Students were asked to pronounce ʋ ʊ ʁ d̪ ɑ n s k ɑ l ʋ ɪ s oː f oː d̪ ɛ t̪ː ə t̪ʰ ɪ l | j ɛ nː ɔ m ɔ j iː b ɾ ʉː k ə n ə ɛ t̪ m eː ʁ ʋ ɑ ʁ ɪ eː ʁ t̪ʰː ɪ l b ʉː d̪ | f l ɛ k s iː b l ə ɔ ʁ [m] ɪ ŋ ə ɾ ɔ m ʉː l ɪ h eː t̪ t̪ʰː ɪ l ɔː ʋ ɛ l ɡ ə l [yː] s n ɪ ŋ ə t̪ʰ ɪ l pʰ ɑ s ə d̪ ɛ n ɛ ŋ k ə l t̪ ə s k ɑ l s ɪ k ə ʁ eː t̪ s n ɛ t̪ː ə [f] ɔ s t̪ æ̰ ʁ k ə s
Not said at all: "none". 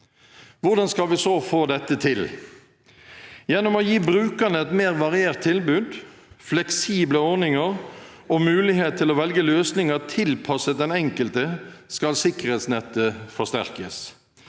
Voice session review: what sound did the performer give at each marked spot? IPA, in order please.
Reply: n, øː, f

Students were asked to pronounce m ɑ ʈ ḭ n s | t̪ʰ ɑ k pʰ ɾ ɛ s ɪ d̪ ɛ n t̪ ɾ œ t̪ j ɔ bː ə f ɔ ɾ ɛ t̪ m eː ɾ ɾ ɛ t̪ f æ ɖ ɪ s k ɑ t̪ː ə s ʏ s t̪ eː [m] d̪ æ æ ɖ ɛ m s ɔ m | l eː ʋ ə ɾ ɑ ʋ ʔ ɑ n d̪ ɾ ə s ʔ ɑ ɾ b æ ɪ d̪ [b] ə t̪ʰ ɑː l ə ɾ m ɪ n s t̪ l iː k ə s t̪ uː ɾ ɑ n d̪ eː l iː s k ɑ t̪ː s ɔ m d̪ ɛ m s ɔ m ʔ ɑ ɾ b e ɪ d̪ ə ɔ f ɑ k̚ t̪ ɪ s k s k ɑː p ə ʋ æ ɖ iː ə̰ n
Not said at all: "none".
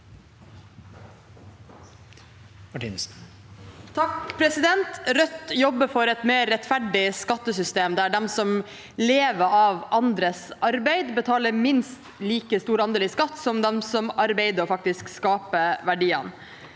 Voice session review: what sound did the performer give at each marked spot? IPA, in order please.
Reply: m, b

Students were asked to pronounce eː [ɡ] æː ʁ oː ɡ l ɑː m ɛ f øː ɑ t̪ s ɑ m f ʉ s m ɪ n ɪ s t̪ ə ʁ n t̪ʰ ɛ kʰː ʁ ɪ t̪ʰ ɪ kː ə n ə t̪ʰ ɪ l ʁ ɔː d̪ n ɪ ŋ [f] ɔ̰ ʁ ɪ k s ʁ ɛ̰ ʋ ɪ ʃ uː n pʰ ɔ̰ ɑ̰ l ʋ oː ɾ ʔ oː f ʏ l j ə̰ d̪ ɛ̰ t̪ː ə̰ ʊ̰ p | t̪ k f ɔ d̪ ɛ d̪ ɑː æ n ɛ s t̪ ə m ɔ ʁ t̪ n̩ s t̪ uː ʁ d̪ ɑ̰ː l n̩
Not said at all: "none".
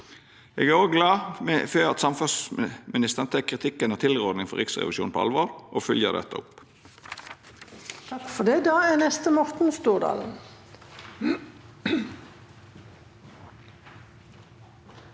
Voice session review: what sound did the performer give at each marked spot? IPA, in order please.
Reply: ɡ, f

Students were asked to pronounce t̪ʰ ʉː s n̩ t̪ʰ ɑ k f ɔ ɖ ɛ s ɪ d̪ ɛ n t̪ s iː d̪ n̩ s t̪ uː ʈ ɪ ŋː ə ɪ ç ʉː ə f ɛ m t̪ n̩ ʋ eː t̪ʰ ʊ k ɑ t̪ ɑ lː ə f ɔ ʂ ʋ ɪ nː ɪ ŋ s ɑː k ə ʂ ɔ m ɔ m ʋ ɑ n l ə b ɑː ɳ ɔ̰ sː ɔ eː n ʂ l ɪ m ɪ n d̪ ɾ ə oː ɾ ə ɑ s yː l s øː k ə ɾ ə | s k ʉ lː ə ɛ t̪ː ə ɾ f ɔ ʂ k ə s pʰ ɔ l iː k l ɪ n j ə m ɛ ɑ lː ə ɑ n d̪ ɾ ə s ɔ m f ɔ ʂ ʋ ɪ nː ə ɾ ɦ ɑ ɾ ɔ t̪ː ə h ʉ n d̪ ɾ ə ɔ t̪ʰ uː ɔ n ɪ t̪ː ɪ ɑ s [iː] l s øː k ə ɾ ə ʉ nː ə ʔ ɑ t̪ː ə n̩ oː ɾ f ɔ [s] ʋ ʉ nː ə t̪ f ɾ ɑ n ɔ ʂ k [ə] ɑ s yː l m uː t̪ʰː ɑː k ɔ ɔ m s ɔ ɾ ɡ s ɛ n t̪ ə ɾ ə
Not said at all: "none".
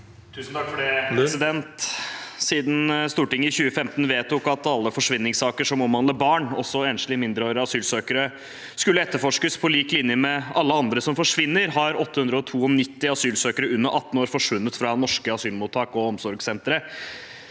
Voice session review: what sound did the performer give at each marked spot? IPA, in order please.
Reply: yː, ʂ, ə

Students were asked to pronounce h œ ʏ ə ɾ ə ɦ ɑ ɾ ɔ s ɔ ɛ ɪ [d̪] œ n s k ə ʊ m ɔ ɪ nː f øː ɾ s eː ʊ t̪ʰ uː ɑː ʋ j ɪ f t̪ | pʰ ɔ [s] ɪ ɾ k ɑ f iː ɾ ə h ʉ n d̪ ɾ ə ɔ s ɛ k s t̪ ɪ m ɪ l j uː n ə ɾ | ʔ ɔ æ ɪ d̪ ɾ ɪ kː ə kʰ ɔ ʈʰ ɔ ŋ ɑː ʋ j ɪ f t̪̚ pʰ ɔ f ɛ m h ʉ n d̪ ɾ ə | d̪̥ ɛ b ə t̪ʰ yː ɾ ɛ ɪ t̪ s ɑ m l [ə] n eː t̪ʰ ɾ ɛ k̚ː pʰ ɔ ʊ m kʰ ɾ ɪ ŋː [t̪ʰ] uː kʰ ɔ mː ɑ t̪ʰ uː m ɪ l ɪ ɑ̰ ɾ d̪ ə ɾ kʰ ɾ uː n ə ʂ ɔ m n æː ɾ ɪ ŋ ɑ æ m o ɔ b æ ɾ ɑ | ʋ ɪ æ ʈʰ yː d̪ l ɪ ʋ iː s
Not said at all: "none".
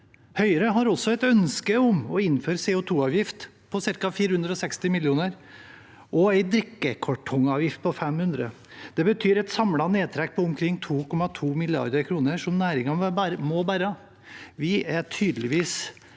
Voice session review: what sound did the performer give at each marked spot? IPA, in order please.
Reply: t̪, s, ɑ, t̪ʰ

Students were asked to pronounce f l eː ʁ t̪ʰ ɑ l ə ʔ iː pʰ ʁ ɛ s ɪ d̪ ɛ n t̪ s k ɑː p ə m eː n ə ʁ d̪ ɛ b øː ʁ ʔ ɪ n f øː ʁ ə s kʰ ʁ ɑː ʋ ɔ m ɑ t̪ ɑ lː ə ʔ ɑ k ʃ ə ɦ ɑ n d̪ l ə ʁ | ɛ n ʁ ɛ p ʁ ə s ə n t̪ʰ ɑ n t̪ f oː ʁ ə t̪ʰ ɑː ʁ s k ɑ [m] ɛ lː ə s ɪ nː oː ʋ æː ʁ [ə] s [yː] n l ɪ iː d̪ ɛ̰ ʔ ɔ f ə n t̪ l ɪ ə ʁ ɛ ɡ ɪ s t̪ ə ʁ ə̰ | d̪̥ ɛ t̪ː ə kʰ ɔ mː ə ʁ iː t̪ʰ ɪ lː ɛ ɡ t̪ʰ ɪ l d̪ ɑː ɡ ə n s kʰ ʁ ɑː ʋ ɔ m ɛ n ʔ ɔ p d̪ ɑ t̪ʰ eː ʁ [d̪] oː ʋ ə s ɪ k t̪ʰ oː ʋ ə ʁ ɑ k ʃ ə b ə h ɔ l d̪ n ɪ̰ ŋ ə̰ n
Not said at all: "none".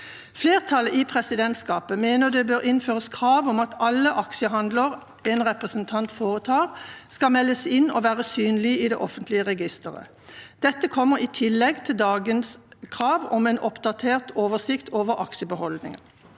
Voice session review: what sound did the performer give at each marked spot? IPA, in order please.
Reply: m, ə, yː, t̪

